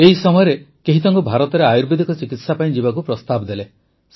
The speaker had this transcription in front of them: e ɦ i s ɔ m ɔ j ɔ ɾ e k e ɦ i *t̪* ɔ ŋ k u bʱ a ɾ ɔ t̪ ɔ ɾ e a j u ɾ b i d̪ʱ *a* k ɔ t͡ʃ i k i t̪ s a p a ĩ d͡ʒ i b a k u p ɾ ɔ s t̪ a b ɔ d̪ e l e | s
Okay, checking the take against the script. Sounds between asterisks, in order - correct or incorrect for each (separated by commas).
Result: correct, incorrect